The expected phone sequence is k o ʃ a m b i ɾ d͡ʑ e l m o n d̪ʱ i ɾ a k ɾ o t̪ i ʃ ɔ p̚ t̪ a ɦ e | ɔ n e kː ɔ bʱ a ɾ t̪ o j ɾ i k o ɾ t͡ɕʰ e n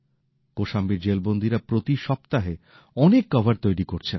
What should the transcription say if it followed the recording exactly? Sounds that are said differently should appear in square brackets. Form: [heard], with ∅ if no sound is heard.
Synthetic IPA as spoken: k o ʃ a m b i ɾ d͡ʑ e l [b] o n d̪ʱ i ɾ a [p] ɾ o t̪ i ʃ ɔ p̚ t̪ a ɦ e | ɔ n e kː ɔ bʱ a ɾ t̪ o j ɾ i k o ɾ t͡ɕʰ e n